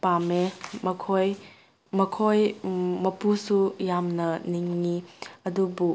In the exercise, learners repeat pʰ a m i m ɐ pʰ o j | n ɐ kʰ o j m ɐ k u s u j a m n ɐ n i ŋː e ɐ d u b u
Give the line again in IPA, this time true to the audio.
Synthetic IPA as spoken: p a m e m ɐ kʰ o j | m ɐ kʰ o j m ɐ p u s u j a m n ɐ n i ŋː i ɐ d u b u